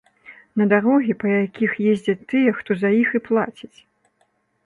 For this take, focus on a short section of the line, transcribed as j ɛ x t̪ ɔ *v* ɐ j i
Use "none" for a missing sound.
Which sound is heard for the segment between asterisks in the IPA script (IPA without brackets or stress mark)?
z